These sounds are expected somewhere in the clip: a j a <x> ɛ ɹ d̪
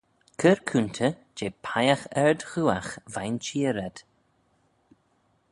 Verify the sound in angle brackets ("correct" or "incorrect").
correct